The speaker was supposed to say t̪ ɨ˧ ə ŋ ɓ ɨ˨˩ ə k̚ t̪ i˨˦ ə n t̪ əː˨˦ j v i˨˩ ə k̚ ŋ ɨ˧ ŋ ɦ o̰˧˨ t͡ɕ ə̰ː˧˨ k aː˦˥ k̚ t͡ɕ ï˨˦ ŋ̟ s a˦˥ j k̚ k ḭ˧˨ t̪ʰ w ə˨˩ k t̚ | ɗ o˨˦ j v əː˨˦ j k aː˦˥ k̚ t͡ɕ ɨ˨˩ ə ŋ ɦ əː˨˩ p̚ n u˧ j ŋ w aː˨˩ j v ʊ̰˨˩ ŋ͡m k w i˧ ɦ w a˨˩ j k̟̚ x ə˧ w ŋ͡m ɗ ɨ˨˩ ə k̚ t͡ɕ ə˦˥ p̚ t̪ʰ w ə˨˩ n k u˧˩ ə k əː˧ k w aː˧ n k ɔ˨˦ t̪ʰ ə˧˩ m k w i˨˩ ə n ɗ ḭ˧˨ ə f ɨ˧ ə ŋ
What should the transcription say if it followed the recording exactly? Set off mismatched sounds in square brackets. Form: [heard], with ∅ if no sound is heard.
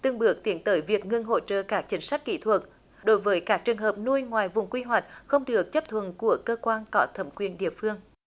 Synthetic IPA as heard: t̪ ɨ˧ ə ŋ ɓ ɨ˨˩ ə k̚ t̪ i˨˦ ə n t̪ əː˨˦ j v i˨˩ ə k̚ ŋ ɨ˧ ŋ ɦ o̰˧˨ t͡ɕ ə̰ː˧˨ k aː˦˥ k̚ t͡ɕ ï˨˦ ŋ̟ s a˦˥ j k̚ k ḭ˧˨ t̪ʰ w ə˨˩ [∅] t̚ | ɗ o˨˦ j v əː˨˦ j k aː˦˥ k̚ t͡ɕ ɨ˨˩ ə ŋ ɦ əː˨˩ p̚ n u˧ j ŋ w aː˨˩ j v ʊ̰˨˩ ŋ͡m k w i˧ ɦ w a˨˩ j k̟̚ x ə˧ w ŋ͡m ɗ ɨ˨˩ ə k̚ t͡ɕ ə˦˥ p̚ t̪ʰ w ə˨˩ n k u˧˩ ə k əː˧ k w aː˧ n k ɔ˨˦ t̪ʰ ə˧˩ m k w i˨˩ ə n ɗ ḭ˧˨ ə f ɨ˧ ə ŋ